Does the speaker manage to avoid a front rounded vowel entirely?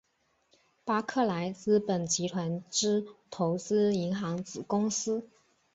yes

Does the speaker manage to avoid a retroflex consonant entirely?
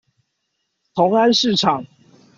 no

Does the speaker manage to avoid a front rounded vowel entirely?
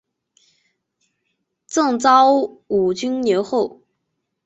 no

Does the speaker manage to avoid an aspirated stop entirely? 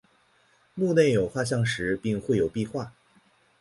yes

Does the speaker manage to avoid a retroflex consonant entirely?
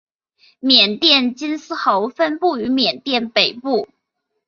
yes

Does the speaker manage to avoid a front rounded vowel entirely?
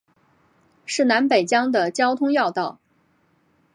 yes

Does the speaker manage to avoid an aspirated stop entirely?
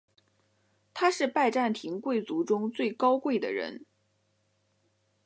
no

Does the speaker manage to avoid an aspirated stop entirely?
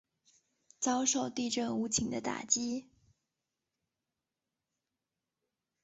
no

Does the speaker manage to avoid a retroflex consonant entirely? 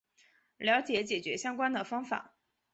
yes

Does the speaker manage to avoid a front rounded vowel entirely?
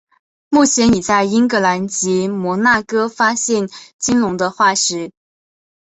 yes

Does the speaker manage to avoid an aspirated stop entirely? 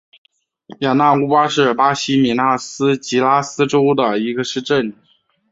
yes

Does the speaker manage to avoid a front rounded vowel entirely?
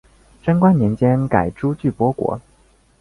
no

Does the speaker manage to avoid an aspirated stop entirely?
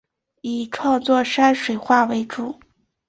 no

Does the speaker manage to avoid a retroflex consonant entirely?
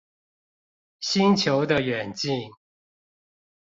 yes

